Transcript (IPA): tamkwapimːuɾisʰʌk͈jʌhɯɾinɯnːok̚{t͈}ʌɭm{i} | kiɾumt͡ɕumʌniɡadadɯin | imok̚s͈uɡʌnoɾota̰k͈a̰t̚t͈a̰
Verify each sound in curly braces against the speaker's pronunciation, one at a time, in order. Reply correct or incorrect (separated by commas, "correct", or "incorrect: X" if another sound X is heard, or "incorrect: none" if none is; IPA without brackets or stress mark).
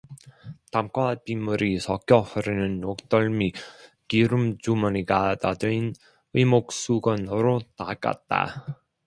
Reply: correct, correct